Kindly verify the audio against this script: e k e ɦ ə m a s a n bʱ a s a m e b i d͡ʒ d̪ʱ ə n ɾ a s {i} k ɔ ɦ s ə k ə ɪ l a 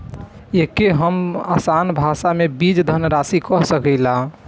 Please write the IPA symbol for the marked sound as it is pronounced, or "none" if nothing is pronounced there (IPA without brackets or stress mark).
i